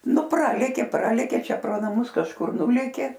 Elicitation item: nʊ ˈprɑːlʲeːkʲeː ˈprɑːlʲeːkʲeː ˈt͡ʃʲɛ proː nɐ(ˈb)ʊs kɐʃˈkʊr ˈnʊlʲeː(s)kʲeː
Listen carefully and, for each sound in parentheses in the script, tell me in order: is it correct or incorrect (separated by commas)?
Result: incorrect, incorrect